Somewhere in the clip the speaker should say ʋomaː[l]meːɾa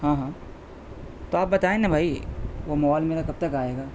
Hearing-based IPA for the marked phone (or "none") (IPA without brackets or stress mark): l